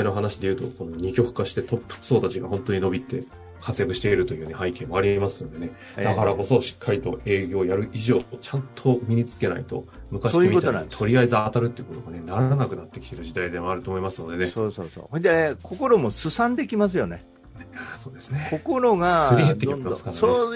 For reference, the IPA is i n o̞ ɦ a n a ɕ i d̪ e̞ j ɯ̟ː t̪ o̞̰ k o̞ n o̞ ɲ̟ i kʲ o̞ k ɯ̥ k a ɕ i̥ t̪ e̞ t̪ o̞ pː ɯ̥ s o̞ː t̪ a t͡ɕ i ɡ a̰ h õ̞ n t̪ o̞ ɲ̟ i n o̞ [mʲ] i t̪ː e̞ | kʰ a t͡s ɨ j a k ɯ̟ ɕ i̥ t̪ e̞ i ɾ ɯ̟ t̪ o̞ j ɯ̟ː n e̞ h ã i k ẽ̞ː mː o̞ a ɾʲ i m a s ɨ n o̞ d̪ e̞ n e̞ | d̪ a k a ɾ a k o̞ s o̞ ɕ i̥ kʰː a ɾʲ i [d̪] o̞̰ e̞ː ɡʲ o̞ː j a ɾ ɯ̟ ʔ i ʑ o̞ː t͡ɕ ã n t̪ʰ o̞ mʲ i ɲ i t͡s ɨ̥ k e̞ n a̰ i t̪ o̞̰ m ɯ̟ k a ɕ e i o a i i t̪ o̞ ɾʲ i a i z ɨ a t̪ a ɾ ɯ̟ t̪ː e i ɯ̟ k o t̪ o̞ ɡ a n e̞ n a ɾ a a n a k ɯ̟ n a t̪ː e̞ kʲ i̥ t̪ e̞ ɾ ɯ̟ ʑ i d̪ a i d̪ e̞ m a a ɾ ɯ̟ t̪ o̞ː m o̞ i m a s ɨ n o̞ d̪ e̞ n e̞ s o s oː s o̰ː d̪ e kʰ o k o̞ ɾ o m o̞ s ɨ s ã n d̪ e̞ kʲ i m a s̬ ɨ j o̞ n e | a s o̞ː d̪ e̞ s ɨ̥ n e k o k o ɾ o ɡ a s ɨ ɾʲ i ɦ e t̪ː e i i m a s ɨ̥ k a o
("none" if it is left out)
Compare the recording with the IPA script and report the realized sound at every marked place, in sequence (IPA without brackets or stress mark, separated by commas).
bʲ, t̪